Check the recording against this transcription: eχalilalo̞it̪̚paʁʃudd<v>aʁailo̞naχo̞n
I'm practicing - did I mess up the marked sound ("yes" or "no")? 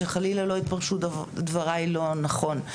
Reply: no